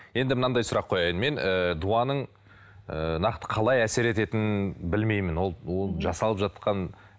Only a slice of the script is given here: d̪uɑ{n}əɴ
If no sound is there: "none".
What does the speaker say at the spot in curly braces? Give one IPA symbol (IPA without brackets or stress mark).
n